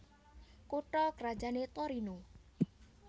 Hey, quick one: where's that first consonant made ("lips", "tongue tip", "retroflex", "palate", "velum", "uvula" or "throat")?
velum